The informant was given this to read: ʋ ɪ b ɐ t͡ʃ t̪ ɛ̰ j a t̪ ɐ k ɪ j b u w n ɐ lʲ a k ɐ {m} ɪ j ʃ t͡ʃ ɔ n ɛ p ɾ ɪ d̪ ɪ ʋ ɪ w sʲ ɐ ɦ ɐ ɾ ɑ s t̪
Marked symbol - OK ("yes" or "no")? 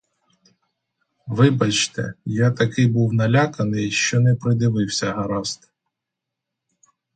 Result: no